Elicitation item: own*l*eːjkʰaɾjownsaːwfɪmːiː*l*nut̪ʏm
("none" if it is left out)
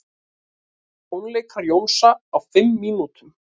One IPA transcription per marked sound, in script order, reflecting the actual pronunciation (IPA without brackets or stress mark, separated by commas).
l, none